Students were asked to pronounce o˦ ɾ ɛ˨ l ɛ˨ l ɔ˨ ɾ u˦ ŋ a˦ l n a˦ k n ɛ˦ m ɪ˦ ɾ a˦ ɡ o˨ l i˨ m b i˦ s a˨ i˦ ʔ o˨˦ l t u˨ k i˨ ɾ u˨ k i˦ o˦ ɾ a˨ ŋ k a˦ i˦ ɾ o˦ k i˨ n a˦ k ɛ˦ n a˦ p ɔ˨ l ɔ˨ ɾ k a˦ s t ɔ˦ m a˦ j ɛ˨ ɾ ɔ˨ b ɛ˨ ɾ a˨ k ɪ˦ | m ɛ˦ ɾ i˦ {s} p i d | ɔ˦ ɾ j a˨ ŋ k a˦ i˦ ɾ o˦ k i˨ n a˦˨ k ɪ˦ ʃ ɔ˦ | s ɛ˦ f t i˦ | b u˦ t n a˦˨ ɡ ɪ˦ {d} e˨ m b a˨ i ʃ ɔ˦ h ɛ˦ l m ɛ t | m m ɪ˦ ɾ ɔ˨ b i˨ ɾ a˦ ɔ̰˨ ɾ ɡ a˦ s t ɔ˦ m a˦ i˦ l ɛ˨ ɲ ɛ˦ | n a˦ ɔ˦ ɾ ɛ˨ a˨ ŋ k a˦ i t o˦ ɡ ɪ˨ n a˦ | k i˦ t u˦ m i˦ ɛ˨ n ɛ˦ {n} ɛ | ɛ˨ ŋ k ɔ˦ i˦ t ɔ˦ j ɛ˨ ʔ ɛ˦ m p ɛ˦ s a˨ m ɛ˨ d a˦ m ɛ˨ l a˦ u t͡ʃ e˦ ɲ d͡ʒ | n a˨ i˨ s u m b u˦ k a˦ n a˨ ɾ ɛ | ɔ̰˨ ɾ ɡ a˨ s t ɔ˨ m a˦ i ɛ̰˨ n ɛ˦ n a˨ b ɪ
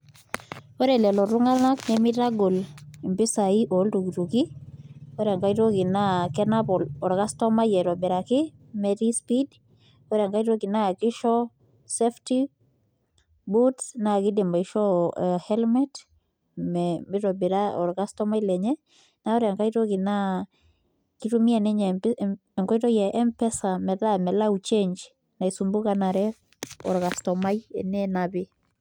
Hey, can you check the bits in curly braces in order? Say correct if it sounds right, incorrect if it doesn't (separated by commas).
correct, correct, incorrect